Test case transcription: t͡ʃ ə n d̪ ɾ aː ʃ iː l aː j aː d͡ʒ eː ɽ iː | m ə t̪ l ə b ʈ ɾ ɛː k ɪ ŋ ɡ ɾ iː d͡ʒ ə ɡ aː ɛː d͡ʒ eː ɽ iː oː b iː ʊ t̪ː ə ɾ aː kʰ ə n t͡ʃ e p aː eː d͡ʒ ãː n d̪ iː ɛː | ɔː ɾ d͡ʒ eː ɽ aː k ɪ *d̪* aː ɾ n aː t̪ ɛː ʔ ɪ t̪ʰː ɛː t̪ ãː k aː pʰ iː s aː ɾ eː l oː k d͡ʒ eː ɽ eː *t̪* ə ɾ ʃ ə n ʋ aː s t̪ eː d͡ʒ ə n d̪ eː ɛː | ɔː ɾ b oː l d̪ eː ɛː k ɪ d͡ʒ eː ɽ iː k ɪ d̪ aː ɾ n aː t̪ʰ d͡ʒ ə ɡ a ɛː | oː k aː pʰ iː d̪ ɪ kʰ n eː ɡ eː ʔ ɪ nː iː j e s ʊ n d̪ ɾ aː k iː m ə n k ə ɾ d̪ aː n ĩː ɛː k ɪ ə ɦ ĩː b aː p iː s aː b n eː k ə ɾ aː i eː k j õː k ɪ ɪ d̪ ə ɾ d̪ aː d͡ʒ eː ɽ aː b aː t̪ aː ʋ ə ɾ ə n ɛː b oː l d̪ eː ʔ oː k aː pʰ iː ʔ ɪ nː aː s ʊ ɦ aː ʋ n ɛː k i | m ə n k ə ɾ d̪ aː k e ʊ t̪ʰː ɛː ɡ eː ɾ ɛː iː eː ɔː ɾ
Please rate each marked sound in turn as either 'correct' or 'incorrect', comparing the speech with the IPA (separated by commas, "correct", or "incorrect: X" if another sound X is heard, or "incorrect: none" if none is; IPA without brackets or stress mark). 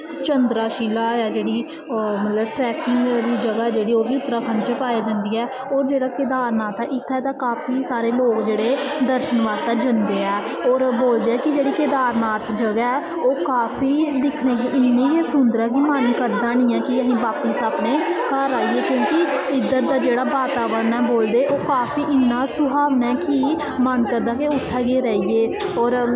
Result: correct, incorrect: d̪